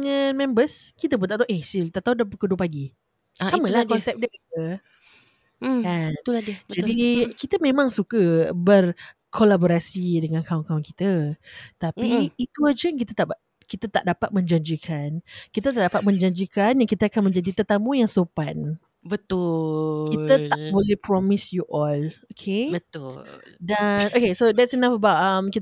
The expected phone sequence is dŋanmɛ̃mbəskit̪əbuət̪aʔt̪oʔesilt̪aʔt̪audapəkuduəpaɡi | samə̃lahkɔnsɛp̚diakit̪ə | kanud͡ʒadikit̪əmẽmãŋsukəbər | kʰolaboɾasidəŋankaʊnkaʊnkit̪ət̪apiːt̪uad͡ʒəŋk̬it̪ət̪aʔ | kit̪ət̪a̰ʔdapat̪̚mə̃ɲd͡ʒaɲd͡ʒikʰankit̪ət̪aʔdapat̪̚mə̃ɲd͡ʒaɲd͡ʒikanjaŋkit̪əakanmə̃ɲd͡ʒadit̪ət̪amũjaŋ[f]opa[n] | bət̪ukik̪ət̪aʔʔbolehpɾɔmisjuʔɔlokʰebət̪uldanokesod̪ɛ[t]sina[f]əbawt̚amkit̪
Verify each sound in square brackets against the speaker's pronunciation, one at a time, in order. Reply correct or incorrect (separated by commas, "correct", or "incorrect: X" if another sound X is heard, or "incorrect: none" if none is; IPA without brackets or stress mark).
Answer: incorrect: s, correct, correct, correct